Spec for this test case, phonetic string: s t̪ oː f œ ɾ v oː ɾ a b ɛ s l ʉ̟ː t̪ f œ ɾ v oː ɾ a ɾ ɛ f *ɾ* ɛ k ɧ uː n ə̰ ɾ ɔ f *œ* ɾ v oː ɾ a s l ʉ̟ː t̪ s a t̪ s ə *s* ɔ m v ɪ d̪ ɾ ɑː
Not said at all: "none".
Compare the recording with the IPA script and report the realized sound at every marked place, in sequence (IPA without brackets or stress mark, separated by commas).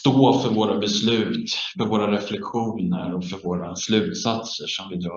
l, œ, ʂ